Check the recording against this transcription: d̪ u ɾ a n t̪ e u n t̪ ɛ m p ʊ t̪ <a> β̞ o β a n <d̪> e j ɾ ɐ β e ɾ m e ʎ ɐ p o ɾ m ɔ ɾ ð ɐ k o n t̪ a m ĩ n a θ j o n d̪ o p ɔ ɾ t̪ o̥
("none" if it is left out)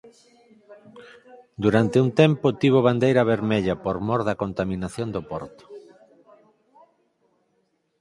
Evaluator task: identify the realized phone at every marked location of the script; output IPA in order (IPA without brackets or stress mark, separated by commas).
i, d̪